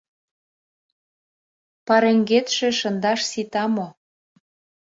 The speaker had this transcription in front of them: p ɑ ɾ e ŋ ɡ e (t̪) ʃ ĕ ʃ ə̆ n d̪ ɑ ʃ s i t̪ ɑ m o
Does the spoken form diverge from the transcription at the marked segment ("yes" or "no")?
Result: no